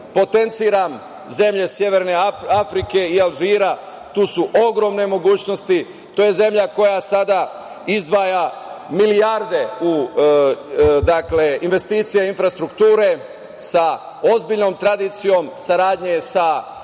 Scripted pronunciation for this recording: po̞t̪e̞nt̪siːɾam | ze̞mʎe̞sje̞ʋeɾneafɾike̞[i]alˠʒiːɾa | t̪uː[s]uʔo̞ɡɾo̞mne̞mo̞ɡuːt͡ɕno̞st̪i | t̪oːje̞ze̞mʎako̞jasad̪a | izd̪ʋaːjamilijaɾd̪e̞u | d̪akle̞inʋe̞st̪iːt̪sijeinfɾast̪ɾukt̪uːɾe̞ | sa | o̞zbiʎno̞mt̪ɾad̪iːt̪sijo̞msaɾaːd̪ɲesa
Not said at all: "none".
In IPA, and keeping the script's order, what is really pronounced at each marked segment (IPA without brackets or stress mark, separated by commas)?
i, s